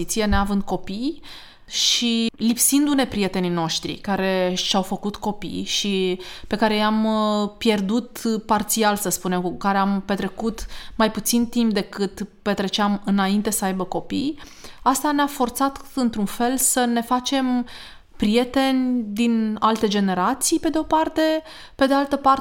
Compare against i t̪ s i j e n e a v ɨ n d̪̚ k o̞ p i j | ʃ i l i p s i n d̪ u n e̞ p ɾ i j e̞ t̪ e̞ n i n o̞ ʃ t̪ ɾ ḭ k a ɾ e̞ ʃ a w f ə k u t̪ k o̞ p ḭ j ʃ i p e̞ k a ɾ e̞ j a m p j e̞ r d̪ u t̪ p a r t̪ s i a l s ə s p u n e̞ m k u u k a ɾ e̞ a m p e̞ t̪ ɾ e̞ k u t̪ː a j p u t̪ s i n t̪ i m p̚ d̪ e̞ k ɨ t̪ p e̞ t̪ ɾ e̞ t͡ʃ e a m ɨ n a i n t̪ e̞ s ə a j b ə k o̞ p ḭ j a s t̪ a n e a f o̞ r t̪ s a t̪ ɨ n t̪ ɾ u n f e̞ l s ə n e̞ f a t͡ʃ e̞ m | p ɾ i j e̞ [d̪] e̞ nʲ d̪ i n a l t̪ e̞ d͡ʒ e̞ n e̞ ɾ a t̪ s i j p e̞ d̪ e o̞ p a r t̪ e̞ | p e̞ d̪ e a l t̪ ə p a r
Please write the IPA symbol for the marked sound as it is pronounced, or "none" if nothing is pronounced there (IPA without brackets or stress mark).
t̪